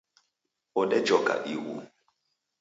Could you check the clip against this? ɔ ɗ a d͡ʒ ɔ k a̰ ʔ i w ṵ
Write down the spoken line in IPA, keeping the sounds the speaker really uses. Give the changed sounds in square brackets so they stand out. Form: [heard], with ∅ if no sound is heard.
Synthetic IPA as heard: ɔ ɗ [ɛ] d͡ʒ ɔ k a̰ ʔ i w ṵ